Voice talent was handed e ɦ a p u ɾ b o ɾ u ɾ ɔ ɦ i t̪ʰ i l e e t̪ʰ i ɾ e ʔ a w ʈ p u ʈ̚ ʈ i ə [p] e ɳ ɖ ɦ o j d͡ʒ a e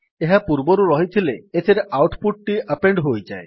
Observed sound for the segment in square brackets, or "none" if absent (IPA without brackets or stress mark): p